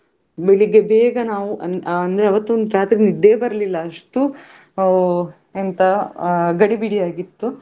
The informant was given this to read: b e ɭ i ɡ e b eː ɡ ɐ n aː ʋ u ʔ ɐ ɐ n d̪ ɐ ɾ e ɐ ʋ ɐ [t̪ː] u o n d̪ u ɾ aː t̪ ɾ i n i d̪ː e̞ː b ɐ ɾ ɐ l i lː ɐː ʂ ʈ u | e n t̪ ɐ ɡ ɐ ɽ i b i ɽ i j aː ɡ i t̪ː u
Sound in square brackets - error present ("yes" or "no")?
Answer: no